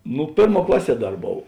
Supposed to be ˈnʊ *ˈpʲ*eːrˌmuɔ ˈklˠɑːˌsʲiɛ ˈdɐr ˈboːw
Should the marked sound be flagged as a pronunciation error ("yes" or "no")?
no